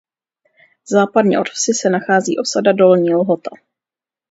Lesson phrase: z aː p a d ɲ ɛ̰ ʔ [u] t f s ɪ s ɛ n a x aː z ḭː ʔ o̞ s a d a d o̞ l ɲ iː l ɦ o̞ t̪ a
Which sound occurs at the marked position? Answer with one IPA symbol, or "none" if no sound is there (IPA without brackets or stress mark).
o